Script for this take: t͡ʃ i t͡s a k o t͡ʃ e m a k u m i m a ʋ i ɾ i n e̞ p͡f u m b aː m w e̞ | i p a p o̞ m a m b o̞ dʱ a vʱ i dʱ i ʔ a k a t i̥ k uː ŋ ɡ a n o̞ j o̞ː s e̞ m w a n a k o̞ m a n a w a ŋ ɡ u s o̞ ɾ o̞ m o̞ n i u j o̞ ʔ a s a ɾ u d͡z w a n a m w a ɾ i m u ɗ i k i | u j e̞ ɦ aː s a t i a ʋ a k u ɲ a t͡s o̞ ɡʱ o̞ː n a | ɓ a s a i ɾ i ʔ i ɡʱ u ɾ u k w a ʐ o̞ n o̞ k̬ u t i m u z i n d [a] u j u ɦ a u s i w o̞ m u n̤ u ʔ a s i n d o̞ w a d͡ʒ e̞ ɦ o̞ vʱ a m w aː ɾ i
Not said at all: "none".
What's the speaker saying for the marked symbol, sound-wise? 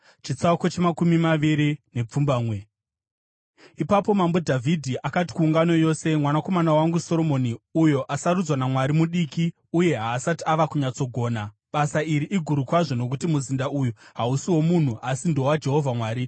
a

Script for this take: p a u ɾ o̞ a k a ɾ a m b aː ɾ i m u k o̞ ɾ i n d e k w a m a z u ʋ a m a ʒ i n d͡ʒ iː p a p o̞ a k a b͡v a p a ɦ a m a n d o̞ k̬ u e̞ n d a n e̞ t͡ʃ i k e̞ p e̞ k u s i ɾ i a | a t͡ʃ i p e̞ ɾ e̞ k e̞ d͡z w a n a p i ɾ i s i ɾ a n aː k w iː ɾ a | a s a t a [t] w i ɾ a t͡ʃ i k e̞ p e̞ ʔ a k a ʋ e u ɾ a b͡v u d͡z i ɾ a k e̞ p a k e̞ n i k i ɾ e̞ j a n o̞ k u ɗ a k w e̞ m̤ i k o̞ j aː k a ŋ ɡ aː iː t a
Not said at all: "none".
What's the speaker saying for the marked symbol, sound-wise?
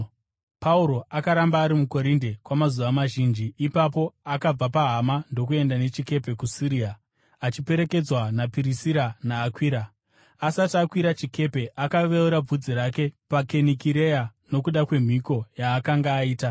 k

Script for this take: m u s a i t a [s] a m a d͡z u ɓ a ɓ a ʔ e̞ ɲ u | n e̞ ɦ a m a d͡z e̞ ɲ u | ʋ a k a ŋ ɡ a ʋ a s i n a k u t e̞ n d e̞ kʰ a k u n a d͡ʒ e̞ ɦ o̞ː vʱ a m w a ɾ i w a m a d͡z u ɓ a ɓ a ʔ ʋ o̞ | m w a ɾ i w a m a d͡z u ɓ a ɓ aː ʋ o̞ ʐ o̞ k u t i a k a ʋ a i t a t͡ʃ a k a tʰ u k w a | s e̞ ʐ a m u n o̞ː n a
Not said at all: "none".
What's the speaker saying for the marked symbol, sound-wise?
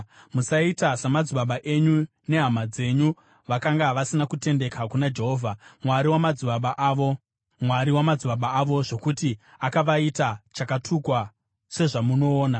s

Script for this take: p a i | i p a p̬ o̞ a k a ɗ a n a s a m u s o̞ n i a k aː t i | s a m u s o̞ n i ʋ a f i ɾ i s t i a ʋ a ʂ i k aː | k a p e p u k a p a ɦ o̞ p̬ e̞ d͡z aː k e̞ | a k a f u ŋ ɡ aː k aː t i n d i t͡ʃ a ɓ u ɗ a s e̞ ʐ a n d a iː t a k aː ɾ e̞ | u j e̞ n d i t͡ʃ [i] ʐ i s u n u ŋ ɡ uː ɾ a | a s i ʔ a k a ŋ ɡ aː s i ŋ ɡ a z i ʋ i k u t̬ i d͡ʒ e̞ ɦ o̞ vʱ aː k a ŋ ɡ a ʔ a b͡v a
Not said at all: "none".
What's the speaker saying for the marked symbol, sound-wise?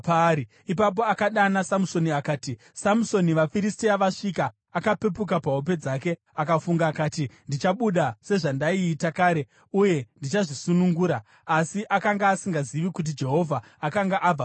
a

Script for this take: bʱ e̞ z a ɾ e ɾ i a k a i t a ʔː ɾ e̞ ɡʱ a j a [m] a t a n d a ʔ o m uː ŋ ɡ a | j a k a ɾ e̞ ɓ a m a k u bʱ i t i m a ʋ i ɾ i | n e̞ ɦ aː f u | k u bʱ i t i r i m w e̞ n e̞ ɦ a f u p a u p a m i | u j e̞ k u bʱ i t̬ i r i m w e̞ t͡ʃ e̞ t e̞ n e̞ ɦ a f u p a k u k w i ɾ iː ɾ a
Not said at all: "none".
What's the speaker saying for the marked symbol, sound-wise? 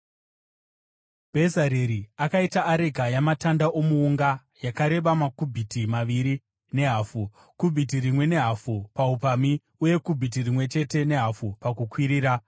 m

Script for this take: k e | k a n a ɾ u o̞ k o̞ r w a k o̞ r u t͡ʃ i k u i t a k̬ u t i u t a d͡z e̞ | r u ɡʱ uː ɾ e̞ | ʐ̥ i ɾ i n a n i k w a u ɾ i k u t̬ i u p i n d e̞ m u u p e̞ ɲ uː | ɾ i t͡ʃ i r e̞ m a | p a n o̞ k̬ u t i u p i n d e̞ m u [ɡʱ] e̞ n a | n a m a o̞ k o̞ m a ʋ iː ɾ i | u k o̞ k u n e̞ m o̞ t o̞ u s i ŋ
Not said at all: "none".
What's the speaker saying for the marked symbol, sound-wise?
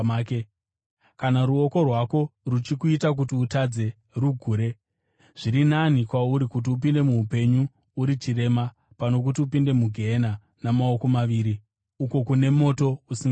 ɡʱ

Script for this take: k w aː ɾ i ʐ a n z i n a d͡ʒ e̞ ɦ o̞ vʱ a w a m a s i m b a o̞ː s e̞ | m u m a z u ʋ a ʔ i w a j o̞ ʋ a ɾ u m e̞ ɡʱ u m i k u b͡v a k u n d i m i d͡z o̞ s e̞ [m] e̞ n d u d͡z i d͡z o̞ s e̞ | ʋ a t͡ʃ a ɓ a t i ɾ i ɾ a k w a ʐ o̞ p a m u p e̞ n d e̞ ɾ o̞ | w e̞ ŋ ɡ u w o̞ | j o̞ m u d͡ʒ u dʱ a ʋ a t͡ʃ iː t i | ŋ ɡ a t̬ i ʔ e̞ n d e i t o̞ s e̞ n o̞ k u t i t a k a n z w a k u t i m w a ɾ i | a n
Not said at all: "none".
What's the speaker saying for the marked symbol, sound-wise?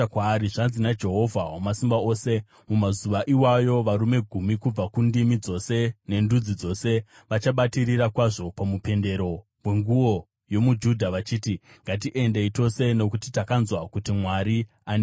n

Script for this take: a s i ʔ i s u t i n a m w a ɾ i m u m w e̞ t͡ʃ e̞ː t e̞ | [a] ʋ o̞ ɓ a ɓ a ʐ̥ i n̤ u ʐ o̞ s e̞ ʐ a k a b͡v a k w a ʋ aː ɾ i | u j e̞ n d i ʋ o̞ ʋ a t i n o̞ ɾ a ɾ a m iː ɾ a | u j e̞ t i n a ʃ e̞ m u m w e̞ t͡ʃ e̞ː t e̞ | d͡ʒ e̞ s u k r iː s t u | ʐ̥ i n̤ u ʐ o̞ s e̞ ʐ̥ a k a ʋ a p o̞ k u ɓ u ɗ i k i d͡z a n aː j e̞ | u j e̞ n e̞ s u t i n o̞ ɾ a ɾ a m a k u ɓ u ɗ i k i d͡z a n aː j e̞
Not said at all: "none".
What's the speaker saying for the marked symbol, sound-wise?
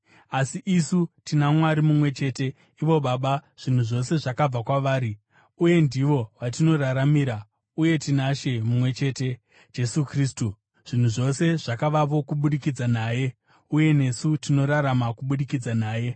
i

